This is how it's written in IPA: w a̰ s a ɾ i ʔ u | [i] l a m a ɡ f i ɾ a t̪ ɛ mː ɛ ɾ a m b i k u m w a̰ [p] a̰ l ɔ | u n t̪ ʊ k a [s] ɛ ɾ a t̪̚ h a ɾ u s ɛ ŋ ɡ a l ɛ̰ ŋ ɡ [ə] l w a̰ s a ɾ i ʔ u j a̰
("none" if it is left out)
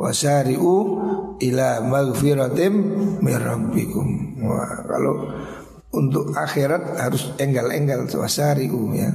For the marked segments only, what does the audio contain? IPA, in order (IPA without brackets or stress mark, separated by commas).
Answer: i, k, x, a